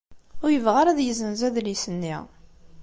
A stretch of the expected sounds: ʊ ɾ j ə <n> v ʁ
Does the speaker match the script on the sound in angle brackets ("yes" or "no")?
no